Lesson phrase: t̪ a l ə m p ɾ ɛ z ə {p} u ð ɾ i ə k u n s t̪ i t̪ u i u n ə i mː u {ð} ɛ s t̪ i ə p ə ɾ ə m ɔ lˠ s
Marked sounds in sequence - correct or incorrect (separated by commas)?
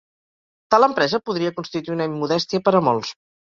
correct, correct